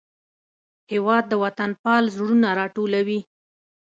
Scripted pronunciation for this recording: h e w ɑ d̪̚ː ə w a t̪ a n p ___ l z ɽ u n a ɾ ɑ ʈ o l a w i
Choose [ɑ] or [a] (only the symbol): ɑ